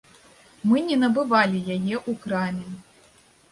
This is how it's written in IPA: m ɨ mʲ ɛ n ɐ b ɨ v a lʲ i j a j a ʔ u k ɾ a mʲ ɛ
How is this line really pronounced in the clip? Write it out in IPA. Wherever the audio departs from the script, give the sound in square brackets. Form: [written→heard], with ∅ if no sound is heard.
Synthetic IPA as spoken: m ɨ [mʲ→nʲ] ɛ n ɐ b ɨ v a lʲ i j a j [a→ɛ] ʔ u k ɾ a mʲ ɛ